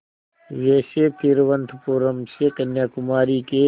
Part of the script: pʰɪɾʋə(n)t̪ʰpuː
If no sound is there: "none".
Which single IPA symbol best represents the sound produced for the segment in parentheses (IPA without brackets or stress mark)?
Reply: n